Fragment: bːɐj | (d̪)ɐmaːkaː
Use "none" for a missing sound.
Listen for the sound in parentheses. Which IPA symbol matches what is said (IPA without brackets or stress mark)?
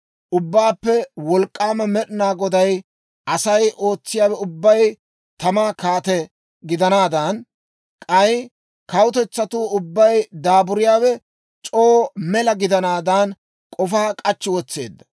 t̪